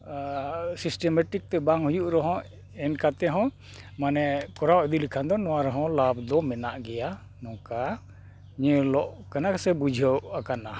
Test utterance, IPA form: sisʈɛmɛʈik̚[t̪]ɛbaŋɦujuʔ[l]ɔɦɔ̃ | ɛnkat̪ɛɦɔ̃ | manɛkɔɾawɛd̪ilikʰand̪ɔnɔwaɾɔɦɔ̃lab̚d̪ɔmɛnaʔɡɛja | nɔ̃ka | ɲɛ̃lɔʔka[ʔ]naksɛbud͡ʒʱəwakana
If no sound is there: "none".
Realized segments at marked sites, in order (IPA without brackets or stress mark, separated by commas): t̪, ɾ, none